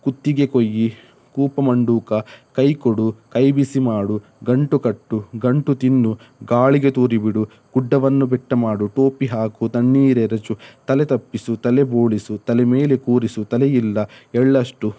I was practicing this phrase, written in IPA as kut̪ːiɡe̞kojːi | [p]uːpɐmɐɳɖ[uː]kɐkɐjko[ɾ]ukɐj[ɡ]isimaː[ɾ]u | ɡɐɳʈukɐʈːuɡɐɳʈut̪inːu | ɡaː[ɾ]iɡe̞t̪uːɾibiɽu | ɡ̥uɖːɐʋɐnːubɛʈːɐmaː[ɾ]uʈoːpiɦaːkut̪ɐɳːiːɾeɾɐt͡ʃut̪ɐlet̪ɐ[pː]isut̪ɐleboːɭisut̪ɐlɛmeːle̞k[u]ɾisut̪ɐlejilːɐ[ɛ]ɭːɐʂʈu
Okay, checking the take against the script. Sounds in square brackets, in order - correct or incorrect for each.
incorrect: k, correct, incorrect: ɽ, incorrect: b, incorrect: ɽ, incorrect: ɭ, incorrect: ɽ, correct, incorrect: uː, correct

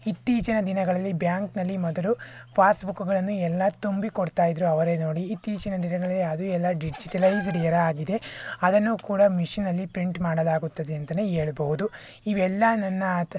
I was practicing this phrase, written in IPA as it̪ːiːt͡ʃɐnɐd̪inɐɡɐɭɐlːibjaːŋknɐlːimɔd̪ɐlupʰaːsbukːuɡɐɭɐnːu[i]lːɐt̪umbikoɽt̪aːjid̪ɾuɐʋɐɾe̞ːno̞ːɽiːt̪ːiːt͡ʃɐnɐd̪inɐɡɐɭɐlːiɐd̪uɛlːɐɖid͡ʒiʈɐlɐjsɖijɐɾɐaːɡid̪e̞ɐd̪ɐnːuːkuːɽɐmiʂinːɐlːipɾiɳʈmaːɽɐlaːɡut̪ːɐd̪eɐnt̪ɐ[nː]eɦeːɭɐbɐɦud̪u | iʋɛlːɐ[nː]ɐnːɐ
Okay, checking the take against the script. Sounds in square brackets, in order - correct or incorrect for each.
incorrect: ɛ, incorrect: n, incorrect: n

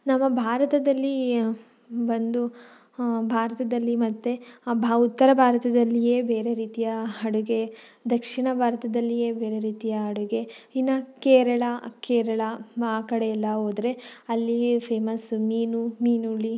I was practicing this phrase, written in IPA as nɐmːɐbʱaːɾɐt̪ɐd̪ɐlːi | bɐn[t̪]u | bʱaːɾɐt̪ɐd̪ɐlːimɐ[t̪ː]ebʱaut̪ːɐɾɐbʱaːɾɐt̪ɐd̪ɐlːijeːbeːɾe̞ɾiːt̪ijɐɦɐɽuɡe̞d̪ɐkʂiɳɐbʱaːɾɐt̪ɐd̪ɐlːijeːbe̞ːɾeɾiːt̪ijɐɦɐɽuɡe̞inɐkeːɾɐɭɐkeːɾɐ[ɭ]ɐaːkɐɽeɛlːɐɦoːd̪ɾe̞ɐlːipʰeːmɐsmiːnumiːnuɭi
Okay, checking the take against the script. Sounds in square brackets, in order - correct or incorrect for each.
incorrect: d̪, correct, correct

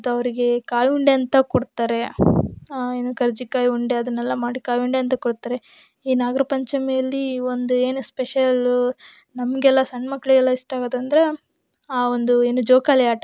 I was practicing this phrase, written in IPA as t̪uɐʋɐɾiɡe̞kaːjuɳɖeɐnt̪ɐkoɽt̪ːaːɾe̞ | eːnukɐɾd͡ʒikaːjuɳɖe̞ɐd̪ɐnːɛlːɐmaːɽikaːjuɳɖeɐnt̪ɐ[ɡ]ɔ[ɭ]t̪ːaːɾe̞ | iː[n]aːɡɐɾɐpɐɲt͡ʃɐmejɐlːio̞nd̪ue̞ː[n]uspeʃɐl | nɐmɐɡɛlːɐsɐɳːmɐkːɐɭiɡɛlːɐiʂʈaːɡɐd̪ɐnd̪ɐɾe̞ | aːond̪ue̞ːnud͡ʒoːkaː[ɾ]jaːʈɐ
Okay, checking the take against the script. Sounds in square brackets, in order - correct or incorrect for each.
incorrect: k, incorrect: ɽ, correct, correct, incorrect: l

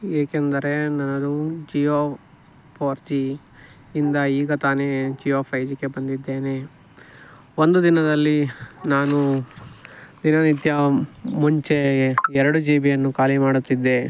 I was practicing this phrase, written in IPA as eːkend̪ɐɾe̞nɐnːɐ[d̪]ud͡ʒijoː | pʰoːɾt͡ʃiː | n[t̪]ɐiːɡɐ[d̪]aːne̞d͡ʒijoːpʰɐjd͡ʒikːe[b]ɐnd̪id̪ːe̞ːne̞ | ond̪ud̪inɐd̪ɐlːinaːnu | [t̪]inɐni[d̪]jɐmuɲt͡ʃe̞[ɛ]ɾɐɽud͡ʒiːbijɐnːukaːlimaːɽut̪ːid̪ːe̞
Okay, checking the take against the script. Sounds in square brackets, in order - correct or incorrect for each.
correct, incorrect: d̪, incorrect: t̪, correct, incorrect: d̪, incorrect: t̪, correct

